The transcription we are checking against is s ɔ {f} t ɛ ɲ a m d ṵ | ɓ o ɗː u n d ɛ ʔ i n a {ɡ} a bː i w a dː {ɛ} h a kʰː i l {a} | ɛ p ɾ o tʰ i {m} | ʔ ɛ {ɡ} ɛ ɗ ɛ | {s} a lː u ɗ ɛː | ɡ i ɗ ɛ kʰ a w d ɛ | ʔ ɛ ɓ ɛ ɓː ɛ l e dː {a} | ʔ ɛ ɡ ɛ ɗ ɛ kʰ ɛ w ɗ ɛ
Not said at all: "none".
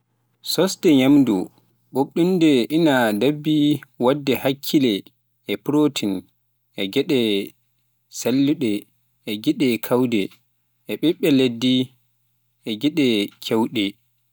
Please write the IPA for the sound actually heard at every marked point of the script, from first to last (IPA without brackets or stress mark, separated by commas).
s, d, ɛ, ɛ, n, ɡ, s, i